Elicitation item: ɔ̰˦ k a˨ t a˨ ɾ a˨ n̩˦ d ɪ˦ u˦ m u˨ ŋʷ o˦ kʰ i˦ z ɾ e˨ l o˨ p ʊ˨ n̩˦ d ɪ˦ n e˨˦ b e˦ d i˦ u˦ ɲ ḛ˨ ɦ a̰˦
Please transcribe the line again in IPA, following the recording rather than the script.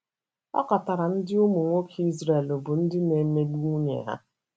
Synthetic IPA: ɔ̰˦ k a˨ t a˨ ɾ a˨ n̩˦ d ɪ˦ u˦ m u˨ ŋʷ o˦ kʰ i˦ z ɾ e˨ l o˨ b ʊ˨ n̩˦ d ɪ˦ n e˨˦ m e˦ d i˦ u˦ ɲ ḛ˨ ɦ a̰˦